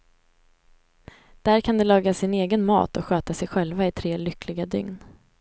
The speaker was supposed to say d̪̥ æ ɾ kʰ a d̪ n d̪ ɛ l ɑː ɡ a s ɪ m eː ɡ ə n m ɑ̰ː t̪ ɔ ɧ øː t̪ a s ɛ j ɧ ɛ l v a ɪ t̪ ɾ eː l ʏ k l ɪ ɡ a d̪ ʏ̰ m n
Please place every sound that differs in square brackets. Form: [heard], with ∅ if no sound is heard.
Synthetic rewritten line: d̪̥ æ ɾ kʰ a [∅] n d̪ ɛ l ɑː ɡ a s ɪ [n] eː ɡ ə n m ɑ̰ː t̪ ɔ ɧ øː t̪ a s ɛ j ɧ ɛ l v a ɪ [t̪ʰ] ɾ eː l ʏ k l ɪ ɡ a d̪ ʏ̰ [ŋ] n